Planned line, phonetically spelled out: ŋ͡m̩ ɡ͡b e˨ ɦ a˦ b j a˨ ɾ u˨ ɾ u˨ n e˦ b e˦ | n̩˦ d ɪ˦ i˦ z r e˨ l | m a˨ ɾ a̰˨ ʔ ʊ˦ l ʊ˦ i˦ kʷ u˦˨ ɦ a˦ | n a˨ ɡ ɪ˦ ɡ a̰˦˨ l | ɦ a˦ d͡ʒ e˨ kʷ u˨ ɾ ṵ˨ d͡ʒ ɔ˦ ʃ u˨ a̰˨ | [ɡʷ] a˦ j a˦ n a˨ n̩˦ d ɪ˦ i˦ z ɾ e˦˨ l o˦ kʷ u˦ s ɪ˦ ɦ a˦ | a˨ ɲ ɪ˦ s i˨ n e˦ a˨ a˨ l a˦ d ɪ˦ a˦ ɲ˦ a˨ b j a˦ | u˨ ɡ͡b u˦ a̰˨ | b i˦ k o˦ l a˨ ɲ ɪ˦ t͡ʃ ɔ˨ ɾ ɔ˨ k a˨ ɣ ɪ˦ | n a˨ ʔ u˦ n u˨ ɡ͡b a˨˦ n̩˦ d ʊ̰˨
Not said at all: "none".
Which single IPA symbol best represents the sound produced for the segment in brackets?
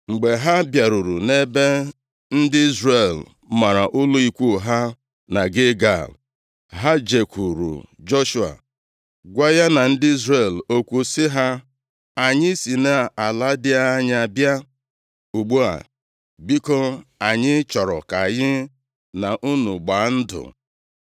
ɡʷ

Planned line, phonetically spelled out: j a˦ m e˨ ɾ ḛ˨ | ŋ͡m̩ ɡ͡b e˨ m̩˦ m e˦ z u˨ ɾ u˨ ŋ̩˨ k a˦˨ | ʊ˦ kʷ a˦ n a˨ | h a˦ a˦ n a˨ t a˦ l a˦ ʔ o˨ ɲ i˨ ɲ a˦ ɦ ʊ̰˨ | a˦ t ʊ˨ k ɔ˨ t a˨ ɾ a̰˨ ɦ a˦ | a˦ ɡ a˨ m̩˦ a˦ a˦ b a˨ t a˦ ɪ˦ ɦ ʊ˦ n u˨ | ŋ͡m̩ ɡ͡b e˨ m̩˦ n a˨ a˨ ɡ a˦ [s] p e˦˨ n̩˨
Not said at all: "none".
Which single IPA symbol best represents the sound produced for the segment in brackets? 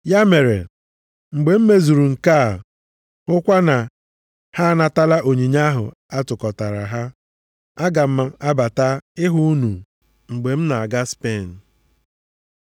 s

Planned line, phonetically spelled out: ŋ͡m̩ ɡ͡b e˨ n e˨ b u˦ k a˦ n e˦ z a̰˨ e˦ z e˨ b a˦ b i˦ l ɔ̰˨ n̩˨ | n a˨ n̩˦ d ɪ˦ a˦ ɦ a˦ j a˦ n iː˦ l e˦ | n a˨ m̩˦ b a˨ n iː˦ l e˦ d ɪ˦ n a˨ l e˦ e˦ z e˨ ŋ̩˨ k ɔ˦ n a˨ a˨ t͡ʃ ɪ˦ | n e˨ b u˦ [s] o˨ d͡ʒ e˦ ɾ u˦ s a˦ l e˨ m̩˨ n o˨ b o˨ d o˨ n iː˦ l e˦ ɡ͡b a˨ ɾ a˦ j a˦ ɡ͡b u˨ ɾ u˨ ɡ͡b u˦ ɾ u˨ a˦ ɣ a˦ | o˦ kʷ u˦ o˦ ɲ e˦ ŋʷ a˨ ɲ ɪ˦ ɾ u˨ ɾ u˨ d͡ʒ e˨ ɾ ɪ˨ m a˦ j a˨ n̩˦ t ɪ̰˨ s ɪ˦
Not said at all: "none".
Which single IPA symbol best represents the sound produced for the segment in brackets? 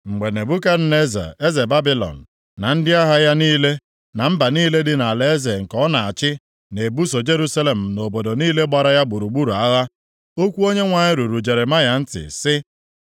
s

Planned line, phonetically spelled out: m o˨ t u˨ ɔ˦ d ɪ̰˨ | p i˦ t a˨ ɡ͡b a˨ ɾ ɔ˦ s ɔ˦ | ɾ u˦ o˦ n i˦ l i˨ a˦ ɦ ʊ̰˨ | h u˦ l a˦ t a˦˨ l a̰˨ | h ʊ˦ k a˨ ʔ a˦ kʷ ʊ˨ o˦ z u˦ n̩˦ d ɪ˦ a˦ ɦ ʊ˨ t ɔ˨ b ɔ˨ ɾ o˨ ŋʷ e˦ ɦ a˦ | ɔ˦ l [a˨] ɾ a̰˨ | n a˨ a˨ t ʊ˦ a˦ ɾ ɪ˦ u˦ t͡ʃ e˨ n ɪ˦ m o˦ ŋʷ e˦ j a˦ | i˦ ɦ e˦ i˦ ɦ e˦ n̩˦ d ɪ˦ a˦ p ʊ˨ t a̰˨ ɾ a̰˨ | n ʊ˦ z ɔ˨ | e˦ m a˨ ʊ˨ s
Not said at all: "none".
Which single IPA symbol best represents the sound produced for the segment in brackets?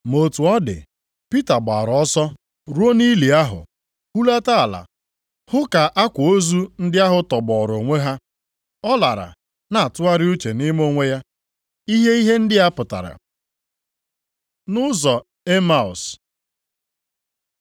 a˨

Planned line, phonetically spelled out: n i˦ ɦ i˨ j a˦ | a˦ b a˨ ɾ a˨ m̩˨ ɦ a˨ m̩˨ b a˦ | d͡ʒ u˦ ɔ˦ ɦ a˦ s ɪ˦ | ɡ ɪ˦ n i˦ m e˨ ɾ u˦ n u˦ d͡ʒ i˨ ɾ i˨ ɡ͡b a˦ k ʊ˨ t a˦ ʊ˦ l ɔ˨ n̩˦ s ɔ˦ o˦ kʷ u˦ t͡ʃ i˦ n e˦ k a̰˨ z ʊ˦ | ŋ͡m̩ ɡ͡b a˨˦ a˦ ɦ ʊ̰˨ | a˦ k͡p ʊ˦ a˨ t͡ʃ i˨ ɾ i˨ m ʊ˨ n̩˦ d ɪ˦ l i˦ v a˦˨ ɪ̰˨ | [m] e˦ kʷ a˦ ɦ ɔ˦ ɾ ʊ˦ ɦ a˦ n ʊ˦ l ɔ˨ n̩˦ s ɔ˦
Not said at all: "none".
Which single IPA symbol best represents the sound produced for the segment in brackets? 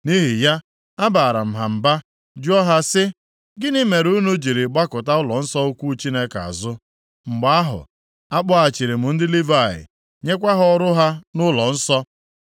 ɲ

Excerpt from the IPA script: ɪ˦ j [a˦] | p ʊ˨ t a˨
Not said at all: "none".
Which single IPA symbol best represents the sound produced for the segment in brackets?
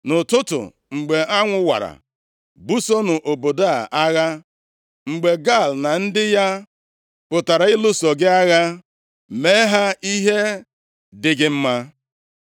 a˦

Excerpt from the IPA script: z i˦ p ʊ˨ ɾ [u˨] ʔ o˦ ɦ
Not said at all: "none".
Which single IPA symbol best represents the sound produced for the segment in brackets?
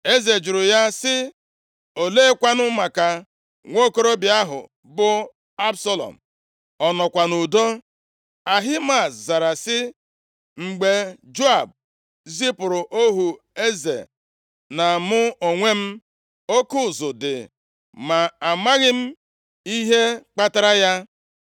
ʊ˨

